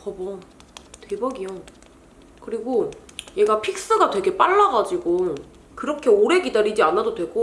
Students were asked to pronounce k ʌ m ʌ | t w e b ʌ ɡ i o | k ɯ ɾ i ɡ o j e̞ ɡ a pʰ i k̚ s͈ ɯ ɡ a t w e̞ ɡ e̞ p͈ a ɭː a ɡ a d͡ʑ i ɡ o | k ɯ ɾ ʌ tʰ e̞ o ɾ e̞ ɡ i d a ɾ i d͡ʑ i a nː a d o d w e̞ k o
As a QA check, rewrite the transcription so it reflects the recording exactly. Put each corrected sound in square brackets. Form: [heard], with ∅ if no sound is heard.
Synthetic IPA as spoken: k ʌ [b] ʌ | t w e b ʌ ɡ i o | k ɯ ɾ i ɡ o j e̞ ɡ a pʰ i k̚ s͈ ɯ ɡ a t w e̞ ɡ e̞ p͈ a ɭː a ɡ a d͡ʑ i ɡ o | k ɯ ɾ ʌ [kʰ] e̞ o ɾ e̞ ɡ i d a ɾ i d͡ʑ i a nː a d o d w e̞ [ɡ] o